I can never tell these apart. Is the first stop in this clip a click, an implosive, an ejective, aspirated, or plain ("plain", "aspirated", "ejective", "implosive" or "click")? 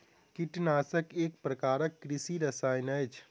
plain